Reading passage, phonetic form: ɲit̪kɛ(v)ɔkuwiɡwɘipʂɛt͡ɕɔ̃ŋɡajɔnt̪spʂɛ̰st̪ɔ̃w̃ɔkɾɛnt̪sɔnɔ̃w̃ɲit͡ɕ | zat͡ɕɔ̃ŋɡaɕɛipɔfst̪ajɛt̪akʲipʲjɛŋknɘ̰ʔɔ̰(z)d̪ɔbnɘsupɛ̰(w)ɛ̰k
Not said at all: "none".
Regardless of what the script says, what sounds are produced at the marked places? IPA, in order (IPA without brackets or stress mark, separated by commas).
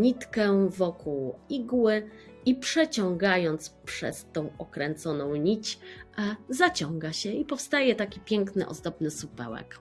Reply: v, z, w